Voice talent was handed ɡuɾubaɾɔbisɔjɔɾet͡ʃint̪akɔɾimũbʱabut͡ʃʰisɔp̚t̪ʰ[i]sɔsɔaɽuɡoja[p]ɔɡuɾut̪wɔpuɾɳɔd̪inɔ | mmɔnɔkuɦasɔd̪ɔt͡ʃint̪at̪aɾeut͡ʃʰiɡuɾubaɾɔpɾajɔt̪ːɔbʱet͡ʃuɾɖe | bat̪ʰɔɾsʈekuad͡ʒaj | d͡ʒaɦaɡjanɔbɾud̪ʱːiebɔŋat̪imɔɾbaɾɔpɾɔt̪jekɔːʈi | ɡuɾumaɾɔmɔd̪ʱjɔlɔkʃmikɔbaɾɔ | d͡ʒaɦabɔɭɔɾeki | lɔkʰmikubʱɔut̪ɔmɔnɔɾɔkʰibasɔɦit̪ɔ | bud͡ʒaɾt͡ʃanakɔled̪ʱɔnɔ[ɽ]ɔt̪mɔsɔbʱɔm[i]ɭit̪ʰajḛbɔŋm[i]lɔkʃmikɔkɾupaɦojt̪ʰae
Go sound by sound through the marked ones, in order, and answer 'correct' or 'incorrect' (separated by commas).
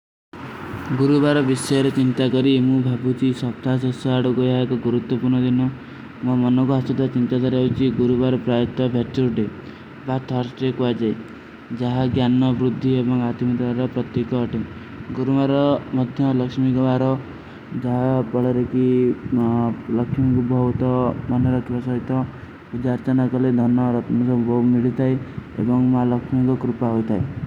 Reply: incorrect, incorrect, incorrect, correct, incorrect